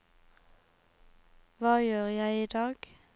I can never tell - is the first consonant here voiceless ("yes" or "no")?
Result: no